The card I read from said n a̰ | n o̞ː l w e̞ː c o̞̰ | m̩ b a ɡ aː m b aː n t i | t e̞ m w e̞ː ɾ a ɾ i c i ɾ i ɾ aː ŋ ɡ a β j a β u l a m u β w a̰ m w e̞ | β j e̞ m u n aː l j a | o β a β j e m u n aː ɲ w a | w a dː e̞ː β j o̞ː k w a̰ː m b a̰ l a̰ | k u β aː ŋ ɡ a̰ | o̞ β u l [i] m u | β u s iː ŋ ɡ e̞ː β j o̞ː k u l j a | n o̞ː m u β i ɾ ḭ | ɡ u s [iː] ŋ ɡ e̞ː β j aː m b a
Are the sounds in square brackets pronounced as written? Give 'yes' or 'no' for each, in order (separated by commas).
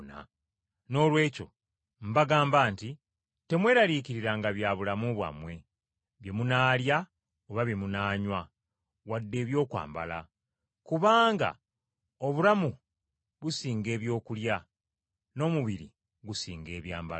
no, yes